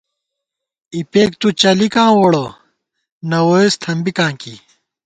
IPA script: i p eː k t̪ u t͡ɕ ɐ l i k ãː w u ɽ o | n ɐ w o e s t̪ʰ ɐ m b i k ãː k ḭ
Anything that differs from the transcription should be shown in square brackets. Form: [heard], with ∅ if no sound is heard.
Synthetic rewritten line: i p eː k t̪ u t͡ɕ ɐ l i k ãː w [o] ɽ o | n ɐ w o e s t̪ʰ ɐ m b i k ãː k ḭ